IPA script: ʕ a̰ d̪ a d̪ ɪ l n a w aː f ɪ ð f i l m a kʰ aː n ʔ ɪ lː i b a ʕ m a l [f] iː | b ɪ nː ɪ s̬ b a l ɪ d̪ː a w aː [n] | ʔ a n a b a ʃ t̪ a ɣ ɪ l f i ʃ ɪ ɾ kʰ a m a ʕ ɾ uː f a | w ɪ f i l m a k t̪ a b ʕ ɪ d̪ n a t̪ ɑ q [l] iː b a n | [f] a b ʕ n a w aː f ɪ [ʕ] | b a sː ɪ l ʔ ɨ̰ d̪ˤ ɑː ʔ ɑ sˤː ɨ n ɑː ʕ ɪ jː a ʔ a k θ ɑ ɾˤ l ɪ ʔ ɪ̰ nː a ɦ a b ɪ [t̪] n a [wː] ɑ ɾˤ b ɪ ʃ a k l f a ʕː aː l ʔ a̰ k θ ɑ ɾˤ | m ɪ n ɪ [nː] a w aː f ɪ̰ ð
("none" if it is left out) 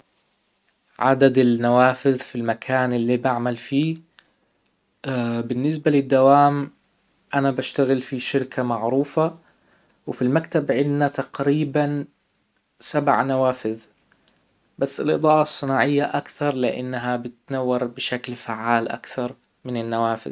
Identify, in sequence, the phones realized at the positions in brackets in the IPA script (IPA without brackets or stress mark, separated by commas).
f, m, ɾ, s, ð, t̪, wː, nː